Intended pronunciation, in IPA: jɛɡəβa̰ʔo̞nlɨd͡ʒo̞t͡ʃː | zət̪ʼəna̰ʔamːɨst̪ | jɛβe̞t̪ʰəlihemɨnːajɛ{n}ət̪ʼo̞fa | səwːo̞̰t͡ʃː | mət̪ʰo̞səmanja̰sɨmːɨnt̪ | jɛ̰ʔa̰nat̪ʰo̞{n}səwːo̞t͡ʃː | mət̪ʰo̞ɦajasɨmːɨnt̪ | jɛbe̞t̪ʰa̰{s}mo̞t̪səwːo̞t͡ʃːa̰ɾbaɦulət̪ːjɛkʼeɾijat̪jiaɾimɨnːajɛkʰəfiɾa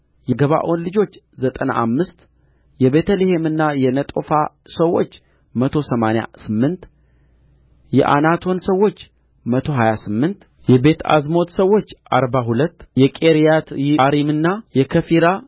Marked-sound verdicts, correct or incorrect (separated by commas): correct, correct, incorrect